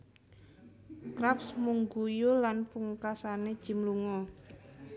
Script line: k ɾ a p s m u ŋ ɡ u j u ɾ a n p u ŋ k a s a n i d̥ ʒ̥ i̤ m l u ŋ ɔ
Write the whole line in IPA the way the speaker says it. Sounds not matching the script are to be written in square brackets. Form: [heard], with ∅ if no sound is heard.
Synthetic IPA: k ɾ a p s m u ŋ ɡ u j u [l] a n p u ŋ k a s a n [e] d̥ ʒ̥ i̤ m l u ŋ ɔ